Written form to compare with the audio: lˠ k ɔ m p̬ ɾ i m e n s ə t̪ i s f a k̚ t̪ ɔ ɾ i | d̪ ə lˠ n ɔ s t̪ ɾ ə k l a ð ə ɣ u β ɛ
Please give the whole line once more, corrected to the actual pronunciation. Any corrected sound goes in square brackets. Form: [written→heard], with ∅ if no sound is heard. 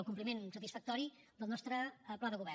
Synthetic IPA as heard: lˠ k [ɔ→u] m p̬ [ɾ→l] i m e n s ə t̪ i s f [a→ə] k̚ t̪ ɔ ɾ i | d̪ ə lˠ n ɔ s t̪ ɾ ə [k→p] l a ð ə ɣ u β ɛ